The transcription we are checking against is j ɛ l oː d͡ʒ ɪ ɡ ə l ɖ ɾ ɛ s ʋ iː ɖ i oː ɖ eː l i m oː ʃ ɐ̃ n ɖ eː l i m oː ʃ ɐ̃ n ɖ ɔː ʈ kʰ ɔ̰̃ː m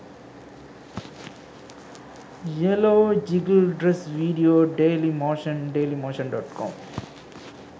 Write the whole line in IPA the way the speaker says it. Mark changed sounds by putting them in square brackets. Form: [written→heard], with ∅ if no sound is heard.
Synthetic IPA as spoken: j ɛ l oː d͡ʒ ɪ ɡ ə l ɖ ɾ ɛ s ʋ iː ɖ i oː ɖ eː l i m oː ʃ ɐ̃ n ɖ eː l i m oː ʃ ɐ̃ n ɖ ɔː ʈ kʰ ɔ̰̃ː m